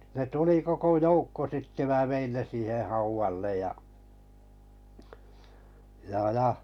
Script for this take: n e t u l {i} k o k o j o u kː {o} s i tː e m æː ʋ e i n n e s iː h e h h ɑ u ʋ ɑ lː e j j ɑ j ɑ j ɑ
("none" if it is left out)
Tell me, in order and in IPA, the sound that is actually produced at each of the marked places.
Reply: i, o

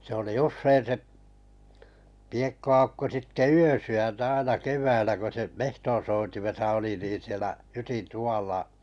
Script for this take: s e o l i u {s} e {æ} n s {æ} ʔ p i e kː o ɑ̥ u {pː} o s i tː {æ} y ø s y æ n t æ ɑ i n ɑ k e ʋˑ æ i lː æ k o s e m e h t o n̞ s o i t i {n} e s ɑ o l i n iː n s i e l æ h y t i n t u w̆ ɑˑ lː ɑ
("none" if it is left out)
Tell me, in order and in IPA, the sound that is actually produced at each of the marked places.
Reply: sː, i, e, kː, e, m

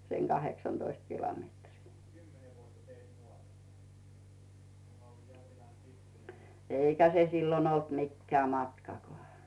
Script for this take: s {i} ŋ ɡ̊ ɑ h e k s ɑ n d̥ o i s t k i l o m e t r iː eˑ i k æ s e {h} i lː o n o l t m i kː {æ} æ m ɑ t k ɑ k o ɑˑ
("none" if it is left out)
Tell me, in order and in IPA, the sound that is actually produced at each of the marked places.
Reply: e, s, e

